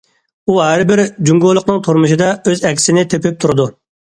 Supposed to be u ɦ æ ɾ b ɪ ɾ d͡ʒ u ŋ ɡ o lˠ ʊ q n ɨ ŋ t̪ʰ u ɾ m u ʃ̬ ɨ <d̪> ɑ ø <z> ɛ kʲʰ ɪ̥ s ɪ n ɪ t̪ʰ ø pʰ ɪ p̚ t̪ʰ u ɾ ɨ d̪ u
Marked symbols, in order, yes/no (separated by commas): yes, yes